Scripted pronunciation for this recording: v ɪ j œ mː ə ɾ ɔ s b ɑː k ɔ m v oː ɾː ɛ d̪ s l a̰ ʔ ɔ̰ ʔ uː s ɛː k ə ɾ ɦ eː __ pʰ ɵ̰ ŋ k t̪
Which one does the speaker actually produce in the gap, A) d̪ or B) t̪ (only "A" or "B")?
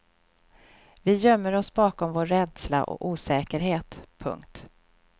B